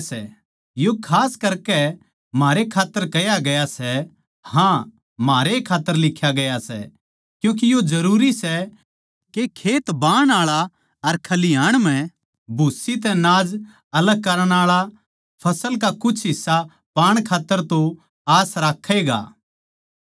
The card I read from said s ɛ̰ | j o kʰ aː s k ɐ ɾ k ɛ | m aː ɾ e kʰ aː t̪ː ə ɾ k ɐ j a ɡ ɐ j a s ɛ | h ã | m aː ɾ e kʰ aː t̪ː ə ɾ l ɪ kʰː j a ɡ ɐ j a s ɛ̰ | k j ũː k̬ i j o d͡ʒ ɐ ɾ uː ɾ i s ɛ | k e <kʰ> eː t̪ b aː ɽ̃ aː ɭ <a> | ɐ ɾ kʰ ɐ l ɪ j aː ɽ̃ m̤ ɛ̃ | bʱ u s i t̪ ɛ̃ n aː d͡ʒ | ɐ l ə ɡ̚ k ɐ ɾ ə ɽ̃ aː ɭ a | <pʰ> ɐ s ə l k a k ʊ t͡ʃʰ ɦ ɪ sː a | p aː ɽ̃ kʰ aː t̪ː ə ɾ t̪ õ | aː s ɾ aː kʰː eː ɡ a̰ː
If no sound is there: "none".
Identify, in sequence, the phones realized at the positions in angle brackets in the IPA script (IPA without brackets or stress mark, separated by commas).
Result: kʰ, a, pʰ